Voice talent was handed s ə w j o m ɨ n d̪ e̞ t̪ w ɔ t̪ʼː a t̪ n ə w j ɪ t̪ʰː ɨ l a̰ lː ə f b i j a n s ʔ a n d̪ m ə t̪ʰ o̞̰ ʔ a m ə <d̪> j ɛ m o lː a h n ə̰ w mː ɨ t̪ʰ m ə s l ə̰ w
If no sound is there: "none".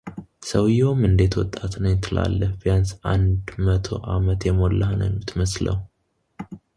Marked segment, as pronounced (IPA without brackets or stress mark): t̪